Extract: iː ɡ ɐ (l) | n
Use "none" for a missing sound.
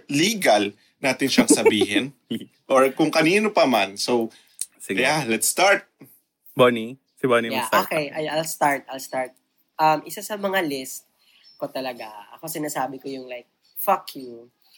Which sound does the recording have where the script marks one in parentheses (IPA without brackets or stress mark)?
l